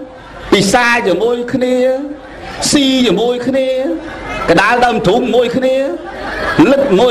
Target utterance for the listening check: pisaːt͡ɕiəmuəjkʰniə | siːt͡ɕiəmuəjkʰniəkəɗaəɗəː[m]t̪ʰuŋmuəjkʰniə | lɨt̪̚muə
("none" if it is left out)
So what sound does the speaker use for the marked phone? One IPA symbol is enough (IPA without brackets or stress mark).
m